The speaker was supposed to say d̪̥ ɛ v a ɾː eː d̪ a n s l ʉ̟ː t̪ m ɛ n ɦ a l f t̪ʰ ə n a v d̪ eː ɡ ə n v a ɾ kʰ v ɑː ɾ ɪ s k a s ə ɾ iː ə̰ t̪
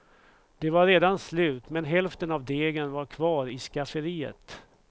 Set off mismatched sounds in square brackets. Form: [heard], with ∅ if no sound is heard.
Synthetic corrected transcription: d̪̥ ɛ v a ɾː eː d̪ a n s l ʉ̟ː t̪ m ɛ n ɦ [ɛ] l f [t̪] ə n a v d̪ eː ɡ ə n v a ɾ kʰ v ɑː ɾ ɪ s k a [f] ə ɾ iː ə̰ t̪